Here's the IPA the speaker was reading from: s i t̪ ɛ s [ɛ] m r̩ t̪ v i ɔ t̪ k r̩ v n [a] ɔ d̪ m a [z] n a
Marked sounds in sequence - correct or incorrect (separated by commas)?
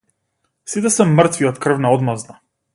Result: correct, correct, correct